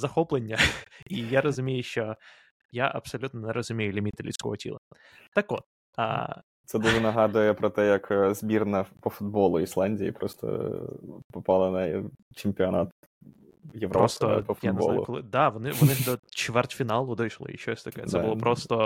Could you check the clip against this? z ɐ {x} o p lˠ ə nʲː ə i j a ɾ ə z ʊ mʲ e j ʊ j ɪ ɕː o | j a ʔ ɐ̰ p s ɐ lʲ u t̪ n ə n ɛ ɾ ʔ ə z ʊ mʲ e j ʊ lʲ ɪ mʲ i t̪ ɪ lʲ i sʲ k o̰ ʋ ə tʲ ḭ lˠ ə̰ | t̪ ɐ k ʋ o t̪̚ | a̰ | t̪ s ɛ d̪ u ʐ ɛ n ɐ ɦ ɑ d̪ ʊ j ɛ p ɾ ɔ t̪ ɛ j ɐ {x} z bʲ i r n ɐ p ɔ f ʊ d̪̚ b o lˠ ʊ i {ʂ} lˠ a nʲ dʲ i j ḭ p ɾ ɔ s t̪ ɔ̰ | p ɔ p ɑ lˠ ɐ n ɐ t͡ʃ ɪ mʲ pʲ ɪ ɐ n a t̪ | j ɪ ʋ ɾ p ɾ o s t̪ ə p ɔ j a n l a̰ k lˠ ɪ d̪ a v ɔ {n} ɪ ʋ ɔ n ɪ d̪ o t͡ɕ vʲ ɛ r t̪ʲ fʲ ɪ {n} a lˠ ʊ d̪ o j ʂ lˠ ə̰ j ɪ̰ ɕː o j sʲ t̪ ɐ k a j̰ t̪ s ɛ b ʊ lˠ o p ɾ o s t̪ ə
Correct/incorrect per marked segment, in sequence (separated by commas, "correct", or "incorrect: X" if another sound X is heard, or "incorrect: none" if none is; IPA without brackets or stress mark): correct, incorrect: k, incorrect: s, correct, correct